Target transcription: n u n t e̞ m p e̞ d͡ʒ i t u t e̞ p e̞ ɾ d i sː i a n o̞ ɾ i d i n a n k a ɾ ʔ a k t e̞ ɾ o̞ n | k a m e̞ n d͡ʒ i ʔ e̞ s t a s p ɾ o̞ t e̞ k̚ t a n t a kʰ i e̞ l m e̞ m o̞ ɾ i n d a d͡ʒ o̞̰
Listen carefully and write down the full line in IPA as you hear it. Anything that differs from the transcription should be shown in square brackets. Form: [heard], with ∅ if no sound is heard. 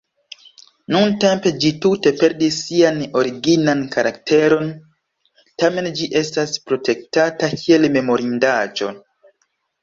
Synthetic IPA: n u n t e̞ m p e̞ d͡ʒ i t u t e̞ p e̞ ɾ d i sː i a n o̞ ɾ i [ɡ] i n a n k a ɾ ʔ a k t e̞ ɾ o̞ n | [t] a m e̞ n d͡ʒ i ʔ e̞ s t a s p ɾ o̞ t e̞ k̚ t a [∅] t a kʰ i e̞ l m e̞ m o̞ ɾ i n d a d͡ʒ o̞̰